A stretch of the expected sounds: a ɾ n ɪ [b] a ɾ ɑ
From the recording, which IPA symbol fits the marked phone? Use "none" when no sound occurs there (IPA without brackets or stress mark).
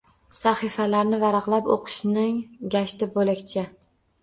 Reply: v